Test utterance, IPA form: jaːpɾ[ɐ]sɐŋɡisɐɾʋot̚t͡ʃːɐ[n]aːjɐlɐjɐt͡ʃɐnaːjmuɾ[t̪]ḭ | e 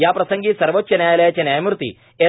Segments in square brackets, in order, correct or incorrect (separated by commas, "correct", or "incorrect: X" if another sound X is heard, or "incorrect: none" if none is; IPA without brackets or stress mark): correct, correct, correct